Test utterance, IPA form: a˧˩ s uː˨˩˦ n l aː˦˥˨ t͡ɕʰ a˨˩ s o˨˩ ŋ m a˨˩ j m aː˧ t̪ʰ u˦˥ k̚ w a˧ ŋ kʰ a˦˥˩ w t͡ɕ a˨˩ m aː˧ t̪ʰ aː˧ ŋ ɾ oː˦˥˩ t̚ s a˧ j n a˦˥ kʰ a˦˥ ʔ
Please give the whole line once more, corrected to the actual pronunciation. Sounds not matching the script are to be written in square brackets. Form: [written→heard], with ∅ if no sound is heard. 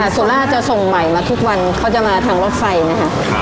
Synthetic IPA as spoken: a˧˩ s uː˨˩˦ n l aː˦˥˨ [t͡ɕʰ→t͡ɕ] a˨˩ s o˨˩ ŋ m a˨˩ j m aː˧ t̪ʰ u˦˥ k̚ w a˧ [ŋ→n] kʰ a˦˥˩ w t͡ɕ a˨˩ m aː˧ t̪ʰ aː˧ ŋ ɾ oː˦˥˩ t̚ [s→f] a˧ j n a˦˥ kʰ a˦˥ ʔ